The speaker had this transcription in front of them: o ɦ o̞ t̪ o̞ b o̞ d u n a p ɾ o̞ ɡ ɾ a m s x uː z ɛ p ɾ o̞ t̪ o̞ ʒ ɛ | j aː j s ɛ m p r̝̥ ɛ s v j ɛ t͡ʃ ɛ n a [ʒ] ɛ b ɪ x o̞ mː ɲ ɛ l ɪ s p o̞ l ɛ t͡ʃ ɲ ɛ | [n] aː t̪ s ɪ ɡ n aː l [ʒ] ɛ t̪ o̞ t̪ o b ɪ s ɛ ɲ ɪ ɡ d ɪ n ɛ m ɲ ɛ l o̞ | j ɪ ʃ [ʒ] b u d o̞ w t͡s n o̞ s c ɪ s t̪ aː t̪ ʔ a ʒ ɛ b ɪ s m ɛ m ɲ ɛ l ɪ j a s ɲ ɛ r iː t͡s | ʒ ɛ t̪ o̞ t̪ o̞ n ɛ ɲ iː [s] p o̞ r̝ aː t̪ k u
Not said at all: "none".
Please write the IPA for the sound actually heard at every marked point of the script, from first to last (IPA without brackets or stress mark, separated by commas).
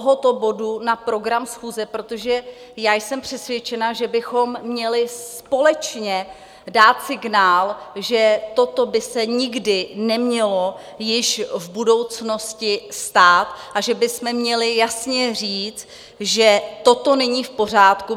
ʒ, d, ʒ, v, f